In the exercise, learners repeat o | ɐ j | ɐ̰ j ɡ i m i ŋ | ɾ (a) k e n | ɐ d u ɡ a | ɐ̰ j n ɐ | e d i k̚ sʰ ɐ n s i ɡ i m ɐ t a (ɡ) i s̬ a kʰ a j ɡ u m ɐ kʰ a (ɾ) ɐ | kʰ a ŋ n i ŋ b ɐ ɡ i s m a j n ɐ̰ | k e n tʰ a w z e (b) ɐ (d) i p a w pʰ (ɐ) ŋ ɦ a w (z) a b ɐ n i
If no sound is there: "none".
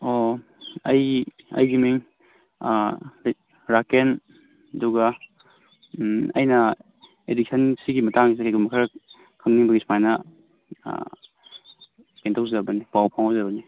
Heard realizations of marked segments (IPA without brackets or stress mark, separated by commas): a, ŋ, ɾ, b, n, a, z